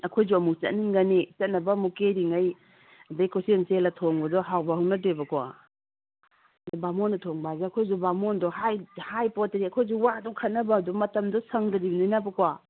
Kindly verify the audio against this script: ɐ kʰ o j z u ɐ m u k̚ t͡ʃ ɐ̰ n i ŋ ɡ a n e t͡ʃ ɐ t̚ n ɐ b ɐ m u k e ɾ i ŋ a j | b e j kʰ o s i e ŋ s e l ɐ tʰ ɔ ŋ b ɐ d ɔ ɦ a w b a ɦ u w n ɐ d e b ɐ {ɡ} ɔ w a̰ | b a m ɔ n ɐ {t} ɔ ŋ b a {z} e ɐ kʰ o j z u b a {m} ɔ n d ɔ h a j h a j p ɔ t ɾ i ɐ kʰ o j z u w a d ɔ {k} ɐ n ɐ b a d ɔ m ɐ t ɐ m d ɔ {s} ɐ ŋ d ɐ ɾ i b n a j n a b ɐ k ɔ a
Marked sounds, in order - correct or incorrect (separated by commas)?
incorrect, incorrect, correct, correct, incorrect, correct